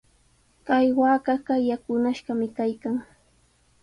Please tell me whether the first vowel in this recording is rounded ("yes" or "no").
no